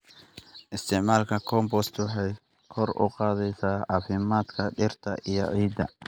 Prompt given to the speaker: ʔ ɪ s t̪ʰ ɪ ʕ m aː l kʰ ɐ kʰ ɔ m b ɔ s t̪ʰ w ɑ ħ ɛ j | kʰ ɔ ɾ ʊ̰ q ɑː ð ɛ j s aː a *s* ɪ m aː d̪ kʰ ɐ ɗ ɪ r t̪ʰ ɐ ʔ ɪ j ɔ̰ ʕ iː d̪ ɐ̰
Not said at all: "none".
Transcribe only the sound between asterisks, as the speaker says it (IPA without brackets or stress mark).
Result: f